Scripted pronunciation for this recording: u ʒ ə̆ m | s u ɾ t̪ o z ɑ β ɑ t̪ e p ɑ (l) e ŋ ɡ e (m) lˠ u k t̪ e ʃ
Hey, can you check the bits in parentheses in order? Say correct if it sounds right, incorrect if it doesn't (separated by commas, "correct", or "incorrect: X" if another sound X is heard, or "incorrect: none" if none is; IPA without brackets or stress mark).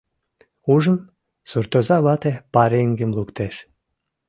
incorrect: ɾ, correct